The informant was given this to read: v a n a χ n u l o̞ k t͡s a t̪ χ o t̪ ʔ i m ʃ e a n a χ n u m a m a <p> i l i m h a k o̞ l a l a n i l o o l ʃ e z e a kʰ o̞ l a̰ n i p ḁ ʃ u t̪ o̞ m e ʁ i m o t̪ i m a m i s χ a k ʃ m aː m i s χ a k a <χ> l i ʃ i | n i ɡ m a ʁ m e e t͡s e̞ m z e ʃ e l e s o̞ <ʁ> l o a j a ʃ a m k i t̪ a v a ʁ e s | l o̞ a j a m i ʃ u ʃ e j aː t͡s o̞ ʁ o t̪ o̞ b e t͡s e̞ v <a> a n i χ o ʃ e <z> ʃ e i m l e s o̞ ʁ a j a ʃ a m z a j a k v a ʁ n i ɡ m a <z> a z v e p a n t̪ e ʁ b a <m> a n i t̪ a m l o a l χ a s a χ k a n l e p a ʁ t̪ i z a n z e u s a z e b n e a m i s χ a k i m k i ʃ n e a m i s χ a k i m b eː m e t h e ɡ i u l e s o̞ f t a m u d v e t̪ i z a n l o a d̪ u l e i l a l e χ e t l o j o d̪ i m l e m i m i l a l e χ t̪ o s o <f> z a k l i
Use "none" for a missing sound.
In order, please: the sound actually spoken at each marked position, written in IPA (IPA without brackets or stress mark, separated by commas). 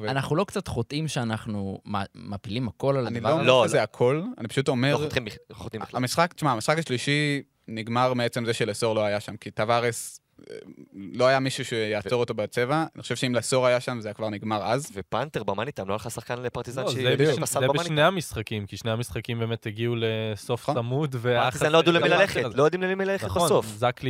p, ʃ, ʁ, a, v, ʁ, m, f